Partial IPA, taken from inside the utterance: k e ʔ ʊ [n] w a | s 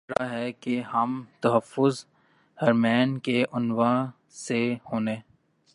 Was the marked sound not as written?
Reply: no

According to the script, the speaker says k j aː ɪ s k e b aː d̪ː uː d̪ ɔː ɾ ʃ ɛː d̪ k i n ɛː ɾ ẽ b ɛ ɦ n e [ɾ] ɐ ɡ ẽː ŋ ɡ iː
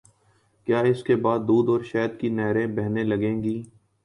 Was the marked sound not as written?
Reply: yes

